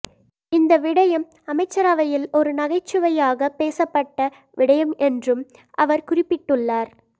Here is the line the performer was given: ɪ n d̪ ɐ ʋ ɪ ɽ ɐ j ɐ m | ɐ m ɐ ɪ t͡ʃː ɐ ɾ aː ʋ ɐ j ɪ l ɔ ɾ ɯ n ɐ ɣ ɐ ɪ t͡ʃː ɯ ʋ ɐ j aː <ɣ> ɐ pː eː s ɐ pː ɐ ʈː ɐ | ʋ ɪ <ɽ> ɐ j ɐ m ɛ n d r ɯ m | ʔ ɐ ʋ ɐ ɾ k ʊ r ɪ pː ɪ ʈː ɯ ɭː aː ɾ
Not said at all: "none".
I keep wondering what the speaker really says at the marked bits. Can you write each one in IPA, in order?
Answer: ɣ, ɽ

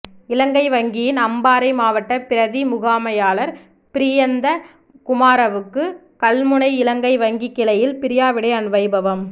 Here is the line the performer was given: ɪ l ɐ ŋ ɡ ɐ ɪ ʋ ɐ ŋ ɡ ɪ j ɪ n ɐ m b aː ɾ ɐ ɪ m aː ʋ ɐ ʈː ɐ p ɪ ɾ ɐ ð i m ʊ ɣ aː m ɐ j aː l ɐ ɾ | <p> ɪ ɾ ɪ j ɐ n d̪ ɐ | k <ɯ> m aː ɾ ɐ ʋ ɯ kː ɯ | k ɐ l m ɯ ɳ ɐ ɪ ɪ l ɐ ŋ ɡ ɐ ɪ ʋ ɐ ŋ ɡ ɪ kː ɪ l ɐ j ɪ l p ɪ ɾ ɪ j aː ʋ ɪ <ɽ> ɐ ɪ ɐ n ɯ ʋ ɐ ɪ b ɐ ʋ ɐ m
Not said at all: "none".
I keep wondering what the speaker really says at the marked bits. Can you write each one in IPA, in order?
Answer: p, ʊ, ɽ

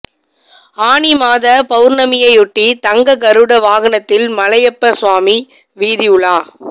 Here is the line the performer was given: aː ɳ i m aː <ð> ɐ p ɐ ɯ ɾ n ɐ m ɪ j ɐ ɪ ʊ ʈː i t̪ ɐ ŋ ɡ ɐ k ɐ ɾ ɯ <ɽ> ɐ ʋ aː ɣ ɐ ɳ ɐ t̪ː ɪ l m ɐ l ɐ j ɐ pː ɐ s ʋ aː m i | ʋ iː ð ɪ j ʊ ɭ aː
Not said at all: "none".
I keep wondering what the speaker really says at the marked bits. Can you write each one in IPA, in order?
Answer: ð, ɽ

